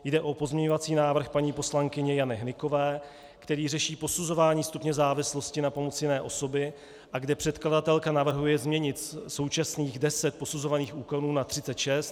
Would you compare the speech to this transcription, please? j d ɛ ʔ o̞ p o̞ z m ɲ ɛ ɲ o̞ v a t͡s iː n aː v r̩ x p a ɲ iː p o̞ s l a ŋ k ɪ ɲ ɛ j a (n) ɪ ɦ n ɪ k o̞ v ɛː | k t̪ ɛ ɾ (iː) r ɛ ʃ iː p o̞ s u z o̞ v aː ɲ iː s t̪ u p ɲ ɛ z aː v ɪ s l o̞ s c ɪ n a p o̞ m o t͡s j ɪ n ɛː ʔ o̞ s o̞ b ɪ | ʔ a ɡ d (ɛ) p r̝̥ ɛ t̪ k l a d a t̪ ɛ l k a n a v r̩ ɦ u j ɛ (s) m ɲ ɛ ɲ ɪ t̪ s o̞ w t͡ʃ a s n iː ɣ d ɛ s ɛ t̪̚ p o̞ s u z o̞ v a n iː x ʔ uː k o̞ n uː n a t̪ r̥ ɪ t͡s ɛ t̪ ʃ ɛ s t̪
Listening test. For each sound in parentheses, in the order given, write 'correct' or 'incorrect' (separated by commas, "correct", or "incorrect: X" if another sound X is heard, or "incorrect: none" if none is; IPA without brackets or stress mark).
correct, correct, correct, incorrect: z